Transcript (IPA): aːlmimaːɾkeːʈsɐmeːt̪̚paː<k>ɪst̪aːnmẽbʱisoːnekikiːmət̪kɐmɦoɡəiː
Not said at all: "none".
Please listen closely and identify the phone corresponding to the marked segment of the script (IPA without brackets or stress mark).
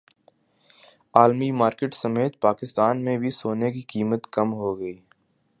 k